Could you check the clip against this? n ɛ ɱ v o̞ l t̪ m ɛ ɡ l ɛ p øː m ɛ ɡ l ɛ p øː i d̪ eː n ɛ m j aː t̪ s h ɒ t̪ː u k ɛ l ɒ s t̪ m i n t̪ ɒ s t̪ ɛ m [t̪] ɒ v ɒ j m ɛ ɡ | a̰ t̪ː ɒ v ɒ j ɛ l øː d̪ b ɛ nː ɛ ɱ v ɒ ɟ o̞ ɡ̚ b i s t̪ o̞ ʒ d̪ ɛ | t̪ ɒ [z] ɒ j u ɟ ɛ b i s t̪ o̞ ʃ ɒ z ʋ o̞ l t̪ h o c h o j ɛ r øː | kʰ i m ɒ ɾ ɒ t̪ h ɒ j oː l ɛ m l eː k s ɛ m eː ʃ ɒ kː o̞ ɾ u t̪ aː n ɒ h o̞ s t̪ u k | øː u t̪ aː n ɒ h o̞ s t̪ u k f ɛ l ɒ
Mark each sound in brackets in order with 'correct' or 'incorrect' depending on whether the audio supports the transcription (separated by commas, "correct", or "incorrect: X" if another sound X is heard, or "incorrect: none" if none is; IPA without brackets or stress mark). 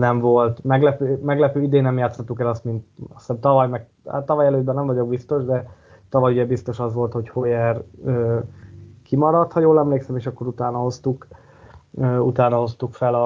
correct, incorrect: v